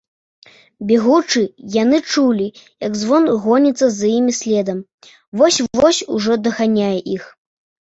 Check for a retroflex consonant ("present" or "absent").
present